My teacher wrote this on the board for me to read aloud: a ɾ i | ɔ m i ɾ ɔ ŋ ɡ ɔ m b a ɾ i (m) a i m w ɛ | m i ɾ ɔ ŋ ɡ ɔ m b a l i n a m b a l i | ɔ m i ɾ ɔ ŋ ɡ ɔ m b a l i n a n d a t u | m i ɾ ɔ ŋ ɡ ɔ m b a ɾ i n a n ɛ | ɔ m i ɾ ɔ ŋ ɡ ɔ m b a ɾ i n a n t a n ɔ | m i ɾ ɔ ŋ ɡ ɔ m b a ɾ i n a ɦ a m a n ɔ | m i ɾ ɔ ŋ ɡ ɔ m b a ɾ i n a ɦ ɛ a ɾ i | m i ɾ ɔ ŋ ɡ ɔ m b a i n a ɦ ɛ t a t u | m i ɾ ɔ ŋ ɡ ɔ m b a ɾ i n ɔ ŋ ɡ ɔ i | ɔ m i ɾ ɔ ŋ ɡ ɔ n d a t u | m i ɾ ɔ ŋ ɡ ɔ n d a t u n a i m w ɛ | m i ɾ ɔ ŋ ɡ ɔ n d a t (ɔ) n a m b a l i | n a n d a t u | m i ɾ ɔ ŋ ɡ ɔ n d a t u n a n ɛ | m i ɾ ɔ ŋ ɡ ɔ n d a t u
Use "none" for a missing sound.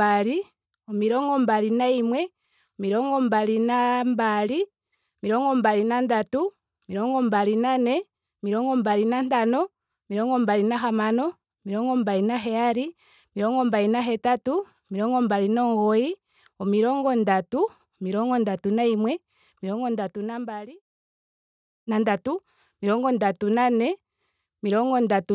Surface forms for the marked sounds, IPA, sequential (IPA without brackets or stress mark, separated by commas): n, u